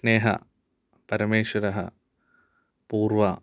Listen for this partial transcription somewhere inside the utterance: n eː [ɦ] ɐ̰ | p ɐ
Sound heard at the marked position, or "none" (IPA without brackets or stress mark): ɦ